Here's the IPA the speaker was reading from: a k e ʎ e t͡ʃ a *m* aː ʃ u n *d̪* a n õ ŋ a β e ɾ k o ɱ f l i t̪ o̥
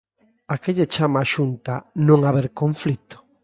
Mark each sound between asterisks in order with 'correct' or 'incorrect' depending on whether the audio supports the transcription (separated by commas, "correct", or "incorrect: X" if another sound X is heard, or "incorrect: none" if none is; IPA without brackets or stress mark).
correct, incorrect: t̪